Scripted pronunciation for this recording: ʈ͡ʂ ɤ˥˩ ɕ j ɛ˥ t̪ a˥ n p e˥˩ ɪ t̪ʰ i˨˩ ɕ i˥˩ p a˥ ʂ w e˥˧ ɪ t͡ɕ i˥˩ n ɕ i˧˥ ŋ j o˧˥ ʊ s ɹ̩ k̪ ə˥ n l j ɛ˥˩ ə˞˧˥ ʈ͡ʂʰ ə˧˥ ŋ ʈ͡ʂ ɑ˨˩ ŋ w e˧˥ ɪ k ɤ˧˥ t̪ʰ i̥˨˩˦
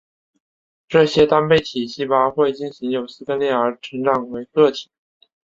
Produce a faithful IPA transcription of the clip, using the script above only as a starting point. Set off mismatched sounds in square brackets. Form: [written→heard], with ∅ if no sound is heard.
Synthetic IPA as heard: ʈ͡ʂ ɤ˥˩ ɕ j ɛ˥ t̪ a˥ n p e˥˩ ɪ t̪ʰ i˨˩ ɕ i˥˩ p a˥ [ʂ→x] w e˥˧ ɪ t͡ɕ i˥˩ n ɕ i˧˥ ŋ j [o˧˥→o˨˩] ʊ s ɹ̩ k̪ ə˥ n l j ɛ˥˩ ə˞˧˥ ʈ͡ʂʰ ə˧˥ ŋ ʈ͡ʂ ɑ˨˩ ŋ w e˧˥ ɪ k [ɤ˧˥→ɤ˥˩] t̪ʰ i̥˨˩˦